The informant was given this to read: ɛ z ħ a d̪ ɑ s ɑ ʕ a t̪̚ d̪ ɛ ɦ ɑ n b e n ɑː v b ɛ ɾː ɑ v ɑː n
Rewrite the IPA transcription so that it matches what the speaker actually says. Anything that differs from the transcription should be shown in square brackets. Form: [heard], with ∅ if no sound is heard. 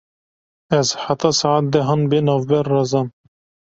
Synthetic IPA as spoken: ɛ z ħ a [t̪] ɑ s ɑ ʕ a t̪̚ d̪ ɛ ɦ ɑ n b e n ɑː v b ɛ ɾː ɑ [z] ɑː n